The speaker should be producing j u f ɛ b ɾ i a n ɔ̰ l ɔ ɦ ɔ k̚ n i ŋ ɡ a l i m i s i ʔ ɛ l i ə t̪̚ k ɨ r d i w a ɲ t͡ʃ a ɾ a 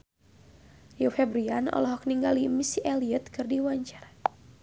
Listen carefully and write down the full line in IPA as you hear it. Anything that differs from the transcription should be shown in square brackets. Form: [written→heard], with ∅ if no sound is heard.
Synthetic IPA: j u f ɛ b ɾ i a n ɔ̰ l ɔ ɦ ɔ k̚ n i ŋ ɡ a l i m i s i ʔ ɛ l i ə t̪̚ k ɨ r d i w a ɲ t͡ʃ a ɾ a